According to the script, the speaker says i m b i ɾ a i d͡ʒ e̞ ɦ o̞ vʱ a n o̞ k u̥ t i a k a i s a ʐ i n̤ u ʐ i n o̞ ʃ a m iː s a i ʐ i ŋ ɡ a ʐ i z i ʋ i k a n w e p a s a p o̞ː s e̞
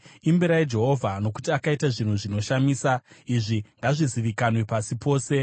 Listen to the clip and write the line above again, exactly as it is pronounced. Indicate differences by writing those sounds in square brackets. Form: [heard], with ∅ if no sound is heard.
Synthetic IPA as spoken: i m b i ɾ a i d͡ʒ e̞ ɦ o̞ vʱ a n o̞ k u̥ t i a k a i [t] a ʐ i n̤ u ʐ i n o̞ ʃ a m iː s a i ʐ i ŋ ɡ a ʐ i z i ʋ i k a n w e p a s [i] p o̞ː s e̞